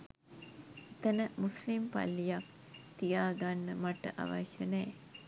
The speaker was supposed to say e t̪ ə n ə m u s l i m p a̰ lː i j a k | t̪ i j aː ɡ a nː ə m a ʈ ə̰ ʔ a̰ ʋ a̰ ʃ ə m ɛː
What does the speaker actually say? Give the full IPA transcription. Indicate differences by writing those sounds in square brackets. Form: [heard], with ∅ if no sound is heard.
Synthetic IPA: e t̪ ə n ə m u s l i m p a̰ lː i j a k | t̪ i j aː ɡ a nː ə m a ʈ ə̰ ʔ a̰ ʋ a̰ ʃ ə [n] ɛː